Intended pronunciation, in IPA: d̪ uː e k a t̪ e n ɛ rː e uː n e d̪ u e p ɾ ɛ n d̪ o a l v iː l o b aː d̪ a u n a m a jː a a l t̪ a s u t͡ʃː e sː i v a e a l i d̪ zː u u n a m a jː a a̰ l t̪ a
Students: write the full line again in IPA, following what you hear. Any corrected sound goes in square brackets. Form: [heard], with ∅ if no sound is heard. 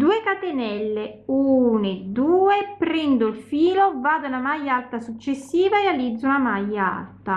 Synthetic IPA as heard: d̪ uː e k a t̪ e n ɛ [lː] e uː n e d̪ [uː] e p ɾ ɛ n d̪ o [i] l [f] iː l o [v] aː d̪ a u n a m a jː a a l t̪ a s u t͡ʃː e sː [iː] v a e a l i d̪ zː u u n a m a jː a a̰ l t̪ a